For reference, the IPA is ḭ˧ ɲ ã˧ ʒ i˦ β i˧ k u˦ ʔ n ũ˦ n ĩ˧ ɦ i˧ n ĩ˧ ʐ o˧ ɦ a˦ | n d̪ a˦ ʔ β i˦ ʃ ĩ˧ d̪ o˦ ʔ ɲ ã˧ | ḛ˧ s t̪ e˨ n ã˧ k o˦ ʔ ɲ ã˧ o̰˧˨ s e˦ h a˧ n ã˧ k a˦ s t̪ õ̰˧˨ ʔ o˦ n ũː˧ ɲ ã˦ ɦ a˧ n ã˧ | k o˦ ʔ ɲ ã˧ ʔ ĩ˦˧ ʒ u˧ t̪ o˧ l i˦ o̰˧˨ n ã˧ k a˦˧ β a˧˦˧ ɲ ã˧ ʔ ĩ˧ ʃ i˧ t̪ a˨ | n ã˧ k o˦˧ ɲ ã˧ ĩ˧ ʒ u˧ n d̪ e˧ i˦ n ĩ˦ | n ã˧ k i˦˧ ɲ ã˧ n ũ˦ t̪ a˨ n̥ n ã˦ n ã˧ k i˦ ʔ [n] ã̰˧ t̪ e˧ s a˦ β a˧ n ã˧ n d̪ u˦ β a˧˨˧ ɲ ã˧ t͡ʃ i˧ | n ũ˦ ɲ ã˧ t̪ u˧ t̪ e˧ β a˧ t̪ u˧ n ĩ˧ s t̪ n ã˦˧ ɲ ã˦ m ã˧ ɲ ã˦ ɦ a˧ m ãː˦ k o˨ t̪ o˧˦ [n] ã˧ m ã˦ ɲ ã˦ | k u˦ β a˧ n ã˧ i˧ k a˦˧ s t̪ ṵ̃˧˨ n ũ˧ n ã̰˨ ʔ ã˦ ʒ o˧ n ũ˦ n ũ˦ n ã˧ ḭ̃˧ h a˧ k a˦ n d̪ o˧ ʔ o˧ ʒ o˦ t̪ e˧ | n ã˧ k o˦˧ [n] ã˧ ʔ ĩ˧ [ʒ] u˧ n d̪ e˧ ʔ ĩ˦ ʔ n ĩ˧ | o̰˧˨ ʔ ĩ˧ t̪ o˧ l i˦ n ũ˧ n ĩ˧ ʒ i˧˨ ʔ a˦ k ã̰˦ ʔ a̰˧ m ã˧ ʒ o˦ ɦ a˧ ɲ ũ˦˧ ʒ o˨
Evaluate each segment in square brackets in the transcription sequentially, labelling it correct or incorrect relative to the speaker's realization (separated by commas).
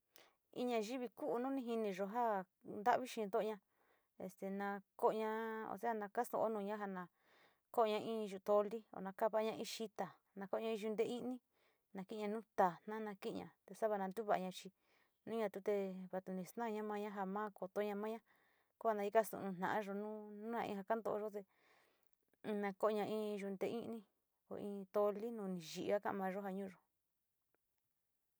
incorrect, incorrect, incorrect, correct